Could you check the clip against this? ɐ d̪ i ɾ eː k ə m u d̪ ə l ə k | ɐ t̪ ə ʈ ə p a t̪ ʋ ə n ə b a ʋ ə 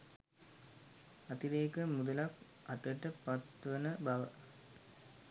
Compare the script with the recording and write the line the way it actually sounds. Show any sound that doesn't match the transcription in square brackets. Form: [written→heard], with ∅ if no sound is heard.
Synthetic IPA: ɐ [d̪→t̪] i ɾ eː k ə m u d̪ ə l [ə→a] k | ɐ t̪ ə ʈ ə p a t̪ ʋ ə n ə b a ʋ ə